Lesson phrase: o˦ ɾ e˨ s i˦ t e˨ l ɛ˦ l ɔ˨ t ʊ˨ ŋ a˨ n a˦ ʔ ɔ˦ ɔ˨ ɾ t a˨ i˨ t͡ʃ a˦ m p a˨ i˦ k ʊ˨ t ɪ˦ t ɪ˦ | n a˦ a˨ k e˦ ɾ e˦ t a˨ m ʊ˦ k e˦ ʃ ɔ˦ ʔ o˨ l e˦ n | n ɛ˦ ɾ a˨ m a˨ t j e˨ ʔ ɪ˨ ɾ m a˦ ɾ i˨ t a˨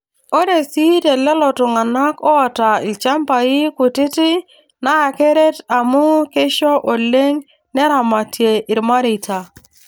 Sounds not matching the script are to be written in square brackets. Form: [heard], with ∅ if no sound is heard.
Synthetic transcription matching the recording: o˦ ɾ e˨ s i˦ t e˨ l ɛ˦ l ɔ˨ t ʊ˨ ŋ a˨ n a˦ [k] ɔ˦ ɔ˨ [∅] t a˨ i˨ t͡ʃ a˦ m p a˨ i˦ k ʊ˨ t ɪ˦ t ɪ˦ | n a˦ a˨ k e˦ ɾ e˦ t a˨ m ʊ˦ k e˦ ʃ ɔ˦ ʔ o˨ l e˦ [ŋ] | n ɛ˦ ɾ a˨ m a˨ t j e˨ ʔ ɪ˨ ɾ m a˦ ɾ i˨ t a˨

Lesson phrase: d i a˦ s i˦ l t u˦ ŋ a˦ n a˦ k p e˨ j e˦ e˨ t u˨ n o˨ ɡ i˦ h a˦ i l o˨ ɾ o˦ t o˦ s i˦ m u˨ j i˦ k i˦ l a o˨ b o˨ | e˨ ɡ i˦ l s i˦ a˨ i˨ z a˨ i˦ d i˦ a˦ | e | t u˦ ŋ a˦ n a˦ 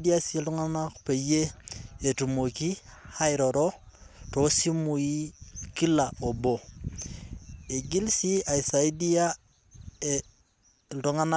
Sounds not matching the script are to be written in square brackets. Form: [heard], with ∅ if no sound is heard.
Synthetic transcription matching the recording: d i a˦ s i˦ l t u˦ ŋ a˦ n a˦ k p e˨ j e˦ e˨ t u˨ [m] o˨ [k] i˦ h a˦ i [ɾ] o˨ ɾ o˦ t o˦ s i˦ m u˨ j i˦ k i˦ l a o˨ b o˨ | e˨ ɡ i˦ l s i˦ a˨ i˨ [s] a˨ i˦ d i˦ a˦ | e | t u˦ ŋ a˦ n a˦

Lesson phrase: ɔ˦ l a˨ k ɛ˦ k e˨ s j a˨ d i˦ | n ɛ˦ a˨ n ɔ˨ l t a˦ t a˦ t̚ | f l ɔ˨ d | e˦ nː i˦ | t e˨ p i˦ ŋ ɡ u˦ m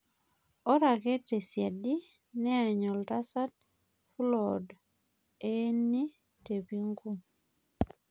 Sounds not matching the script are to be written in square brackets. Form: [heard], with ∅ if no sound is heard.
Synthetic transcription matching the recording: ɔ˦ [ɾ] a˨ k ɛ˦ [t] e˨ s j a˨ d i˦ | n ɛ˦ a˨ [ɲ] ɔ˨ l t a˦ [s] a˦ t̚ | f l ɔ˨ d | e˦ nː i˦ | t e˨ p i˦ ŋ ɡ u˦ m

